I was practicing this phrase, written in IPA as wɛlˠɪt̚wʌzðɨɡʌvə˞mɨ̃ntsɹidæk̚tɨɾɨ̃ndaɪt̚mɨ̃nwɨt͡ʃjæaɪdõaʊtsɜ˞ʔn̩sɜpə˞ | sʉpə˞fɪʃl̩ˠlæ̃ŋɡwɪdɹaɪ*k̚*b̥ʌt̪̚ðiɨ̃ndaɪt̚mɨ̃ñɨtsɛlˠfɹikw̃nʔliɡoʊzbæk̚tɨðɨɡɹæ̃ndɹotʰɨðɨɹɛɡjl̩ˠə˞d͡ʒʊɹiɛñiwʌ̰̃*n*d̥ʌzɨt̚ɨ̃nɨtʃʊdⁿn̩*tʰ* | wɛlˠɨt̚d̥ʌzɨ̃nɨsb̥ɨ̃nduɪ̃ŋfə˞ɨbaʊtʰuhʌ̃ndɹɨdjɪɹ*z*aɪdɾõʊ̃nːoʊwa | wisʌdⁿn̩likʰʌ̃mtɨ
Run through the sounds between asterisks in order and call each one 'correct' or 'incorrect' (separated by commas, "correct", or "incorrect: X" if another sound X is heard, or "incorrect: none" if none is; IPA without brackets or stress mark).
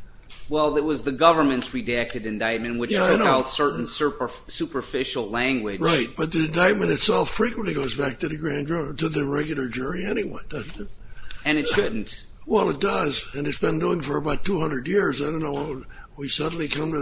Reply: incorrect: t̚, correct, incorrect: t, correct